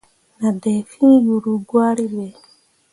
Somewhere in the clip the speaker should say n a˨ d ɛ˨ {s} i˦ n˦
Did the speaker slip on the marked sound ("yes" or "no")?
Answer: yes